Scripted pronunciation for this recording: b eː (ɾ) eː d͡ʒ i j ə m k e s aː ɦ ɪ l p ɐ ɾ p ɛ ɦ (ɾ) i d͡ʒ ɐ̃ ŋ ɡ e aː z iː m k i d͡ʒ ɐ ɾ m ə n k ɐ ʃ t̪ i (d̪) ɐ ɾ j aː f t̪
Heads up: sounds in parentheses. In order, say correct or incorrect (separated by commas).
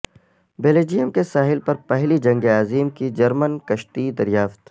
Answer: incorrect, incorrect, correct